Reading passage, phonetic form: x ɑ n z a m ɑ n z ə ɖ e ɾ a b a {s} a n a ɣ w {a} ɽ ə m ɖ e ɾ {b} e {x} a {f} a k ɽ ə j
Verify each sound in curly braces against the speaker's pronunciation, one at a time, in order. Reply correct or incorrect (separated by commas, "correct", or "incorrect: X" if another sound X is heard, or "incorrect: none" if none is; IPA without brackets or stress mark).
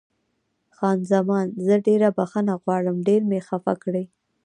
incorrect: x, incorrect: ɑ, incorrect: m, correct, correct